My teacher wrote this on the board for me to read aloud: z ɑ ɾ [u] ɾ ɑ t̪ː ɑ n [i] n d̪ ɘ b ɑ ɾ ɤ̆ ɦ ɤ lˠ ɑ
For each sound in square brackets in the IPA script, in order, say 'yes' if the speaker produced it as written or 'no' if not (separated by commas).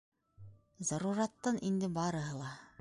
yes, yes